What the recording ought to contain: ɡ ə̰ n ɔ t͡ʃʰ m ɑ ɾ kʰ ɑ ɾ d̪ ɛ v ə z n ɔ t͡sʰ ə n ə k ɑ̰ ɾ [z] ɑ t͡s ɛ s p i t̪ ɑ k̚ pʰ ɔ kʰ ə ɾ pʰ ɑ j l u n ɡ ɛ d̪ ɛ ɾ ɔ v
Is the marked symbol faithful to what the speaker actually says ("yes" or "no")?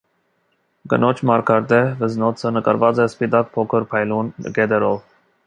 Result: no